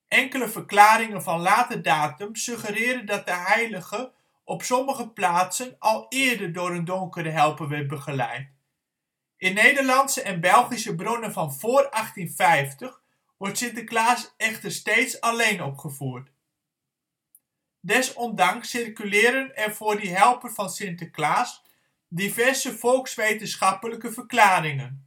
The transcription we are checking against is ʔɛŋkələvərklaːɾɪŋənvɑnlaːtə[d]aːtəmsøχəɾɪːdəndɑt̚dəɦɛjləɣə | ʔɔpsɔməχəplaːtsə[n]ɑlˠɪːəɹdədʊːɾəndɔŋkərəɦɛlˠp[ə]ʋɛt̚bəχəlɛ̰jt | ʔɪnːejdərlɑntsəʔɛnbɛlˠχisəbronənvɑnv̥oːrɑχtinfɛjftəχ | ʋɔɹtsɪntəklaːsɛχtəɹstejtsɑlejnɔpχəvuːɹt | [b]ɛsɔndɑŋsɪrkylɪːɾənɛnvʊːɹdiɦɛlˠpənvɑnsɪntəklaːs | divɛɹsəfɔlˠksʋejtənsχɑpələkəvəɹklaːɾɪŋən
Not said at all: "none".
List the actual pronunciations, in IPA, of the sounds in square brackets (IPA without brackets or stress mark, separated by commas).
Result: d, n, ə, d